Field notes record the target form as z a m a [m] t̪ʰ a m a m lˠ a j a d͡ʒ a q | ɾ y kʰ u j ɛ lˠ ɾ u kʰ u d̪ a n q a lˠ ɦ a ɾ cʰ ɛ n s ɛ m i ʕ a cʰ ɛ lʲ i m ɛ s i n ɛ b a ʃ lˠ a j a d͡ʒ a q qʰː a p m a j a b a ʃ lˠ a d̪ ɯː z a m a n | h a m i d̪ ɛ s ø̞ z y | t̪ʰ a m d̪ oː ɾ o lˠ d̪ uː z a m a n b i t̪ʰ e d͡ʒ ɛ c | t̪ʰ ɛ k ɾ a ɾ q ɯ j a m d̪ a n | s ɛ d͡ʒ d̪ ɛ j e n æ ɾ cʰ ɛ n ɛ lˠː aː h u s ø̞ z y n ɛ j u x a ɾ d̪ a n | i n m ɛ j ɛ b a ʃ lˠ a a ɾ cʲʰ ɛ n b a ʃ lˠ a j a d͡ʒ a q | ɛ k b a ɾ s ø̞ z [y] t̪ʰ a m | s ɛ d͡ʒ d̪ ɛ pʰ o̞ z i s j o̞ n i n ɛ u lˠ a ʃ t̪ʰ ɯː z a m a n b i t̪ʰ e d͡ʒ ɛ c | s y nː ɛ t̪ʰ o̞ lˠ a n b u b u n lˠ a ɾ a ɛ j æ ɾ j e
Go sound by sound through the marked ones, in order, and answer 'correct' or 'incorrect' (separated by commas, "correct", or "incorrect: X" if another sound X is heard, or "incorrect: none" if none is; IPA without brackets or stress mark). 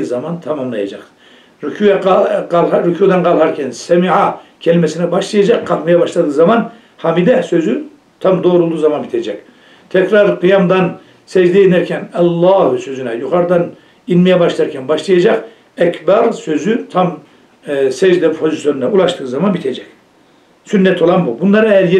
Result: incorrect: n, correct